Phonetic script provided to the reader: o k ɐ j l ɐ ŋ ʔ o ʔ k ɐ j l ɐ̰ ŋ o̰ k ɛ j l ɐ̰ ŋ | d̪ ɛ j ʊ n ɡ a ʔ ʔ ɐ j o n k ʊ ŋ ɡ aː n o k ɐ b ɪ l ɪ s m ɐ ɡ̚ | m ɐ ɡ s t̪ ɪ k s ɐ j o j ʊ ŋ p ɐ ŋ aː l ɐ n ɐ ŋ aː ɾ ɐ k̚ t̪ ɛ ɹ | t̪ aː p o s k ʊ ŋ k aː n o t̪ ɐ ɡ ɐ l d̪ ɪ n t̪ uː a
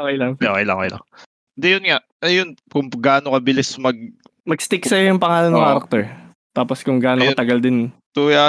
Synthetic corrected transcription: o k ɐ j l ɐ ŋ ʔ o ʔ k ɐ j l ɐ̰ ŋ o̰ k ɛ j l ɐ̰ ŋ | d̪ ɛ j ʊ n ŋ a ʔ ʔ ɐ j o n k ʊ ŋ ɡ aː n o k ɐ b ɪ l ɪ s m ɐ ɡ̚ | m ɐ ɡ s t̪ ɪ k s ɐ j o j ʊ ŋ p ɐ ŋ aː l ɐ n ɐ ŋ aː ɾ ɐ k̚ t̪ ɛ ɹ | t̪ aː p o s k ʊ ŋ ɡ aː n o t̪ ɐ ɡ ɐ l d̪ ɪ n t̪ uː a